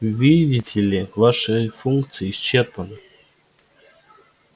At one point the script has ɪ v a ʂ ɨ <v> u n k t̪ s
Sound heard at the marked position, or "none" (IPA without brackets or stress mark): f